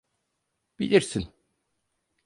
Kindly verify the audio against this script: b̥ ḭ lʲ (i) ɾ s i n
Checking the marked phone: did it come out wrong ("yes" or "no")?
no